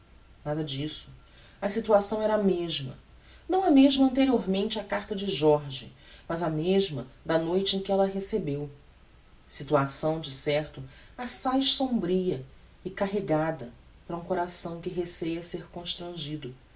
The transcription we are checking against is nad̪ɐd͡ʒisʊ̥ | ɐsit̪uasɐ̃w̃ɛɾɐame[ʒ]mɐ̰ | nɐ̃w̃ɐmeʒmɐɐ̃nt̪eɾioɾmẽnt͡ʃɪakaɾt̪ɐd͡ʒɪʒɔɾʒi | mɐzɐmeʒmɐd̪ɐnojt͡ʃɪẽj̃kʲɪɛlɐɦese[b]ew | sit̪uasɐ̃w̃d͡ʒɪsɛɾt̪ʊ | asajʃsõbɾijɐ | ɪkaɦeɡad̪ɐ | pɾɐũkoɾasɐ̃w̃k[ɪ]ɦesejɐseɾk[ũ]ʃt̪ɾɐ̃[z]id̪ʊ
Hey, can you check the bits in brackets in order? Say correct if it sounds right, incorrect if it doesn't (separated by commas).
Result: correct, correct, correct, incorrect, incorrect